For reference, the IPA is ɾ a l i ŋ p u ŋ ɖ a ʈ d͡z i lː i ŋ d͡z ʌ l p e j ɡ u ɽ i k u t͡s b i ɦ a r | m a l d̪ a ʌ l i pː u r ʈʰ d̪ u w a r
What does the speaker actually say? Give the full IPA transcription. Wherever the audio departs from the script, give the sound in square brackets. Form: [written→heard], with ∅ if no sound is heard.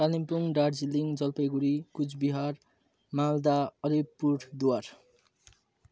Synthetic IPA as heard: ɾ a l i [ŋ→m] p u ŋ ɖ a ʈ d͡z i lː i ŋ d͡z ʌ l p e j ɡ u [ɽ→ɾ] i k u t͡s b i ɦ a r | m a l d̪ a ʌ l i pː u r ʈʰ d̪ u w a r